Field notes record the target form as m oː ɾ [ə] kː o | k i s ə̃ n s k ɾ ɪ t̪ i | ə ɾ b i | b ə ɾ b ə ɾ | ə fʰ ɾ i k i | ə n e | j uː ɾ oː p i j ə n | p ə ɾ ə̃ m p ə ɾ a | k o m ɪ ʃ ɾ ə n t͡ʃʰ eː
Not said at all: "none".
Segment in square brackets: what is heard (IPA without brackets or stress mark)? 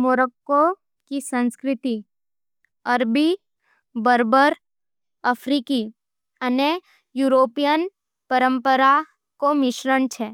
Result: ə